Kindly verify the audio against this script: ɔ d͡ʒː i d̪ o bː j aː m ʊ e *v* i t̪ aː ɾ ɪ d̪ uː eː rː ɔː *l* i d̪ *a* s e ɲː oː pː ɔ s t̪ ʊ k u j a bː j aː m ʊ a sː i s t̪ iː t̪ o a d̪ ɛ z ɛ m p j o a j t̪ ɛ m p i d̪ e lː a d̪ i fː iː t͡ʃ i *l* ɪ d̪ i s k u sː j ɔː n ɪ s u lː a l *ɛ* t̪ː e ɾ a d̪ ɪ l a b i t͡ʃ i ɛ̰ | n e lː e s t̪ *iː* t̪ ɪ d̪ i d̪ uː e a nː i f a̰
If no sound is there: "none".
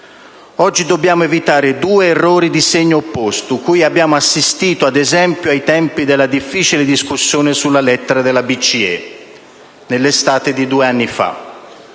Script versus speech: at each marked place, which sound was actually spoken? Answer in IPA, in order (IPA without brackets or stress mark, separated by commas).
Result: v, ɾ, i, l, ɛ, aː